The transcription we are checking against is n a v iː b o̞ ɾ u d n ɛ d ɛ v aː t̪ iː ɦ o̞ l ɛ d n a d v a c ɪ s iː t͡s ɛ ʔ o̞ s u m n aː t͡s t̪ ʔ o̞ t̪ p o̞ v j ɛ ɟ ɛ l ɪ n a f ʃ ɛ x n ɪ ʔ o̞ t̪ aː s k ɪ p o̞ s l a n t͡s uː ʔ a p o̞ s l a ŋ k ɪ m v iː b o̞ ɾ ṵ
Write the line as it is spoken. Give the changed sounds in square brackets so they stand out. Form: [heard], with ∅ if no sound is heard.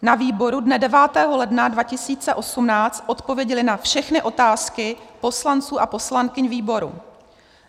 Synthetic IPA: n a v iː b o̞ ɾ u d n ɛ d ɛ v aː t̪ [ɛː] ɦ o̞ l ɛ d n a d v a c ɪ s iː t͡s ɛ ʔ o̞ s u m n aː t͡s t̪ ʔ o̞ t̪ p o̞ v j ɛ ɟ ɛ l ɪ n a f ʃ ɛ x n ɪ ʔ o̞ t̪ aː s k ɪ p o̞ s l a n t͡s uː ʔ a p o̞ s l a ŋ k ɪ [ɲ] v iː b o̞ ɾ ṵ